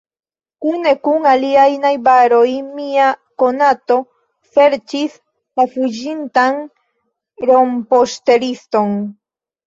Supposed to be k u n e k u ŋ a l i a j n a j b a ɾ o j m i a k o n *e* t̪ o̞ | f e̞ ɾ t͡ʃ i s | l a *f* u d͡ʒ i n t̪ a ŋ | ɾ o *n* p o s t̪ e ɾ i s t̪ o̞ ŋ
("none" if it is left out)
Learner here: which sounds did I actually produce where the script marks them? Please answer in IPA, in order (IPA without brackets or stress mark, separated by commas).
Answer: a, f, m